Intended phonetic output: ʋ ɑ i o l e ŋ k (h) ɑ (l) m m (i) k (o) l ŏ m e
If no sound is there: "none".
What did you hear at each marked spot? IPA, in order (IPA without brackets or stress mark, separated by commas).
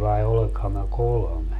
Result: h, none, æ, o